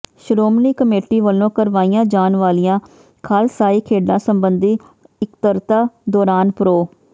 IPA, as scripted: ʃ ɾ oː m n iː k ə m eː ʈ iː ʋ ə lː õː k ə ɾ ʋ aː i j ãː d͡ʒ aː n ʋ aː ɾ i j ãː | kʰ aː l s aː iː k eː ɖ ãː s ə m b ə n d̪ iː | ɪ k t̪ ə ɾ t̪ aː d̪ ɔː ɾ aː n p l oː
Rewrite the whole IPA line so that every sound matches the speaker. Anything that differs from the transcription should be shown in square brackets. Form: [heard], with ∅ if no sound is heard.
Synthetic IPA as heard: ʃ ɾ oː m n iː k ə m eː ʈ iː ʋ ə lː õː k ə ɾ ʋ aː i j ãː d͡ʒ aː n ʋ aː [l] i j ãː | kʰ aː l s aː iː [kʰ] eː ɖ ãː s ə m b ə n d̪ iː | ɪ k t̪ ə ɾ t̪ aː d̪ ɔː ɾ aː n p [ɾ] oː